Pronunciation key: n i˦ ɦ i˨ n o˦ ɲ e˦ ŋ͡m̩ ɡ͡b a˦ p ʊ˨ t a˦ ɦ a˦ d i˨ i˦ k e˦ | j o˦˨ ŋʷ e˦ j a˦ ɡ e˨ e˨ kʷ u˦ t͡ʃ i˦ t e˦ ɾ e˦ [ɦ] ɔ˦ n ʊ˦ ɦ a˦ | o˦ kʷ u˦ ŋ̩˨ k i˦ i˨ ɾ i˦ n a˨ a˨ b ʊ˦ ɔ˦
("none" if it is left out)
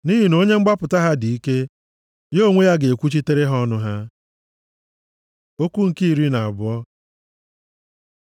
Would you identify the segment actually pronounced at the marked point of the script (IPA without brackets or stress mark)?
ɦ